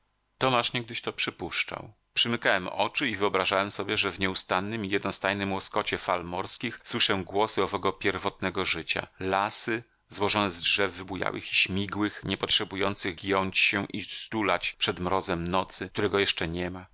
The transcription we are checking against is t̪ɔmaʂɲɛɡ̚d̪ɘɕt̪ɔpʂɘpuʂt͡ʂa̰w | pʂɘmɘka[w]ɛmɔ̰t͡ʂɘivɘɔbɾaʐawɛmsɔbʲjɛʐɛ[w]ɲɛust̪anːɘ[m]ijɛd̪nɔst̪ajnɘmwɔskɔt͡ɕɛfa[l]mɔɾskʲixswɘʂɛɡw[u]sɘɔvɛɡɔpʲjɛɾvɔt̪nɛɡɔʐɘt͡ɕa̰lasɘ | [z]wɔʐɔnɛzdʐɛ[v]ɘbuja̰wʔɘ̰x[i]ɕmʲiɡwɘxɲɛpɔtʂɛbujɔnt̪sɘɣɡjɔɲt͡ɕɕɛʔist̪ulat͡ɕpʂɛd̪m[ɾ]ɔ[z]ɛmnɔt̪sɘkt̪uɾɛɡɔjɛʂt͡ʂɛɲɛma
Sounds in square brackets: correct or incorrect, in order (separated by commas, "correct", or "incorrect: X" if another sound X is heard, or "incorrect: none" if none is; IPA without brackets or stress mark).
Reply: correct, incorrect: v, correct, correct, incorrect: ɔ, correct, incorrect: vː, correct, correct, correct